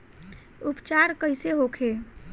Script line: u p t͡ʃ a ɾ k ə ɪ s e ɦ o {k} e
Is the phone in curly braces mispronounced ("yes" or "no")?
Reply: yes